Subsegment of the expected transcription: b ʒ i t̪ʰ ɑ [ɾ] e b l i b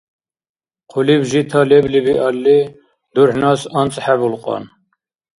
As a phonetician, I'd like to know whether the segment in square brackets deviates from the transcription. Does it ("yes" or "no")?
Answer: yes